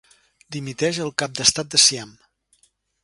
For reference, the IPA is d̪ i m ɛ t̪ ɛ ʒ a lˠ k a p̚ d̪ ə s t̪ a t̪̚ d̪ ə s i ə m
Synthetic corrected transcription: d̪ i m i t̪ ɛ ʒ ə lˠ k a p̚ d̪ ə s t̪ a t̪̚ d̪ ə s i a m